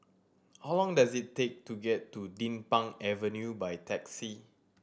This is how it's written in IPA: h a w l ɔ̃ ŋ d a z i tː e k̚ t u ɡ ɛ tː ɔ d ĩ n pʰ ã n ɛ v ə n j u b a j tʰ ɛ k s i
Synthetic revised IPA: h a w l ɔ̃ ŋ d a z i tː e k̚ t u ɡ ɛ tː u d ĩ n p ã ŋ ɛ v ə n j u b a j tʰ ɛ k s i